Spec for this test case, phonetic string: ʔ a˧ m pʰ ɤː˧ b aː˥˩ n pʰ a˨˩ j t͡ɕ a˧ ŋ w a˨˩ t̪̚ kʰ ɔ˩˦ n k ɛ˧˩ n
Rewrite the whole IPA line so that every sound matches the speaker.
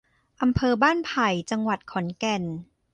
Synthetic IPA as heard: ʔ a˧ m pʰ ɤː˧ b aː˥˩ n pʰ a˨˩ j t͡ɕ a˧ ŋ w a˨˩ t̪̚ kʰ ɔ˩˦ n k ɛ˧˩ n